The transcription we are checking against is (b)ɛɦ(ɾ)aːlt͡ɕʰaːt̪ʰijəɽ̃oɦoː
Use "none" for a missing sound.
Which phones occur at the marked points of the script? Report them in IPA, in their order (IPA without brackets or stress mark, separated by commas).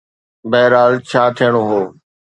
b, ɾ